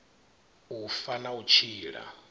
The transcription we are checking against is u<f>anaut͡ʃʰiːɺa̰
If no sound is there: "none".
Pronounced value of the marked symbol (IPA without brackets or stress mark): f